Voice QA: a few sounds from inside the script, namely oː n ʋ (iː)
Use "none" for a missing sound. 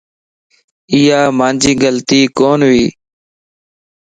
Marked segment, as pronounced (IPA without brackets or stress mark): iː